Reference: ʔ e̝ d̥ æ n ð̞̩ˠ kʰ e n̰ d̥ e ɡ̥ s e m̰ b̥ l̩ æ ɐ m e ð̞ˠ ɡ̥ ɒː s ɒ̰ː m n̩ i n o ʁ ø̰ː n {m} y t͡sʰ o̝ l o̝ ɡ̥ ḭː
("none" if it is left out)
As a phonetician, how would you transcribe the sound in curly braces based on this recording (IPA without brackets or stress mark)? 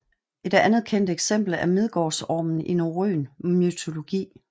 m